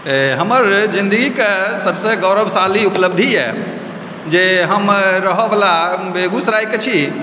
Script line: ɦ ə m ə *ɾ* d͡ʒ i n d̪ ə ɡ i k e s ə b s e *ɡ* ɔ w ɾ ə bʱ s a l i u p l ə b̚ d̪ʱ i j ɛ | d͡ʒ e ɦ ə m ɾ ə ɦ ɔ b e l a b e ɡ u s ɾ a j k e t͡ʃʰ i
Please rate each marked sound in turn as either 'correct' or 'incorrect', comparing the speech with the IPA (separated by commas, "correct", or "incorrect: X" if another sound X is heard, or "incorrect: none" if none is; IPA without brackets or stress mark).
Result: correct, correct